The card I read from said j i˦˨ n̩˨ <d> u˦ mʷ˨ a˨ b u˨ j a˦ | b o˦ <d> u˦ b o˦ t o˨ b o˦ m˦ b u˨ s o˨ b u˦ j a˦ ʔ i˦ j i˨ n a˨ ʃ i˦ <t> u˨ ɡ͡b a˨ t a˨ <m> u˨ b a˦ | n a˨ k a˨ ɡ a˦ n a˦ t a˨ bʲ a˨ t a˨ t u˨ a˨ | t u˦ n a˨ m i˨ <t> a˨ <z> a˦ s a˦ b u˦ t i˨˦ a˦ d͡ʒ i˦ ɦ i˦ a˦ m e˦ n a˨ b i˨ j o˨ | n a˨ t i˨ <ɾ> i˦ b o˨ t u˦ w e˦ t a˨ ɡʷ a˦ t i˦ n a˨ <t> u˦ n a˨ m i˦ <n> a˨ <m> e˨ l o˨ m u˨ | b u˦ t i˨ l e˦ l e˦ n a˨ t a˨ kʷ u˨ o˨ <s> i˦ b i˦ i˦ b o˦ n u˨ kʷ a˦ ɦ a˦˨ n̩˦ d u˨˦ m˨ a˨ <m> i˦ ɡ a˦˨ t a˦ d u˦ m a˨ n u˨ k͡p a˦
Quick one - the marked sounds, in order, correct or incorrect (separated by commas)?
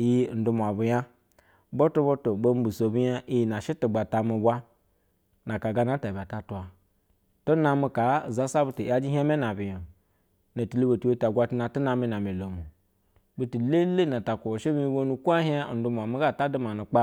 correct, incorrect, correct, correct, incorrect, correct, incorrect, correct, correct, correct, incorrect, correct